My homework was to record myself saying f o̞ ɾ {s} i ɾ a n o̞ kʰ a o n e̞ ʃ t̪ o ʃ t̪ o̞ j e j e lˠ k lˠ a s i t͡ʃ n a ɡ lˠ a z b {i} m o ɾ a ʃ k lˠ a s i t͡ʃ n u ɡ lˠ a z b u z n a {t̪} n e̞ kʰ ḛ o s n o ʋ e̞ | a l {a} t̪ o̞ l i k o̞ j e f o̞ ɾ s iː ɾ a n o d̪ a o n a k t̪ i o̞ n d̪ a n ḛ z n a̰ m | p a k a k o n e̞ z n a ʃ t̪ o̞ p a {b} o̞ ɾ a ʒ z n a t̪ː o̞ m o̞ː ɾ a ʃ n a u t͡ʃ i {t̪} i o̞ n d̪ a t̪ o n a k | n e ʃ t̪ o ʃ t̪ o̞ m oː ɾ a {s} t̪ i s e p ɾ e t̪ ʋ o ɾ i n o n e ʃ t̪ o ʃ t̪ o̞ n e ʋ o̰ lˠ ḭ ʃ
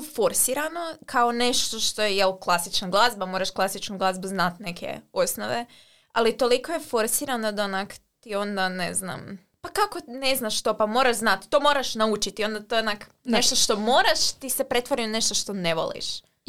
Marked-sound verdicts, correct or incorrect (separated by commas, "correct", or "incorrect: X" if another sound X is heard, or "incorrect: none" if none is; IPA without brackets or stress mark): correct, incorrect: a, correct, incorrect: i, incorrect: m, correct, incorrect: ʃ